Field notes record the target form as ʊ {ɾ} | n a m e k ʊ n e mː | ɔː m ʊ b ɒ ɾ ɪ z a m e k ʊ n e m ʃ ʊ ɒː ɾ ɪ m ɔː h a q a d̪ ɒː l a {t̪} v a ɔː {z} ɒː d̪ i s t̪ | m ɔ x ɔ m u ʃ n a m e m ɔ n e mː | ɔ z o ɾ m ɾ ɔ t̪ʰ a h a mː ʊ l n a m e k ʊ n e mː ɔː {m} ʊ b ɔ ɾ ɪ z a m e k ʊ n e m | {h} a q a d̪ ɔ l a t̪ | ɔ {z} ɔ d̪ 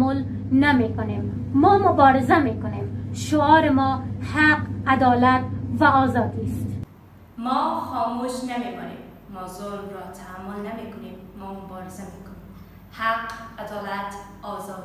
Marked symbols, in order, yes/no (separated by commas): no, yes, yes, yes, yes, yes